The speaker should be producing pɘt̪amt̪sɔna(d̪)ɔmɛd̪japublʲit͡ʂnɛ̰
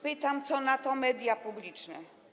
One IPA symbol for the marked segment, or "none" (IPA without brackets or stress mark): t̪